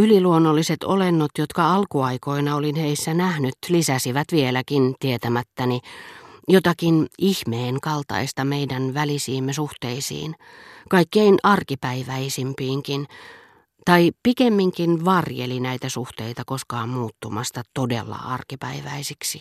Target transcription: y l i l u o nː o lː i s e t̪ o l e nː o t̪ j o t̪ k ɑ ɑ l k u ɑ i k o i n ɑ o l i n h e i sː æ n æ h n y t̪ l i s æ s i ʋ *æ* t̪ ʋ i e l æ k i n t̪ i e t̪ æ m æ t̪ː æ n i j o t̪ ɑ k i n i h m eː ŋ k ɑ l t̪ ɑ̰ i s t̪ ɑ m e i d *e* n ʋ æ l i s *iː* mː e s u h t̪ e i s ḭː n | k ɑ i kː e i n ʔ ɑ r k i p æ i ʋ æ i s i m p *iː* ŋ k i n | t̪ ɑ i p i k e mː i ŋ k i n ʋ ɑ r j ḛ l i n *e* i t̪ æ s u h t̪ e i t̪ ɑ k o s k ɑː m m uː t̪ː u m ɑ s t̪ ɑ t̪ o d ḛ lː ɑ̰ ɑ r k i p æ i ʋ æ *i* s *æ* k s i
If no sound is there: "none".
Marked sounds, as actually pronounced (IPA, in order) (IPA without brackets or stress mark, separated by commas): æ, æ, iː, iː, æ, i, i